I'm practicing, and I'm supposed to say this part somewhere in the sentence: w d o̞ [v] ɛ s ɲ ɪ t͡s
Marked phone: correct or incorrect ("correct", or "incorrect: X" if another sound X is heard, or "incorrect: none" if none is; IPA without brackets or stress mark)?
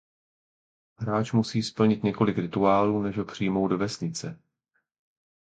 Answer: correct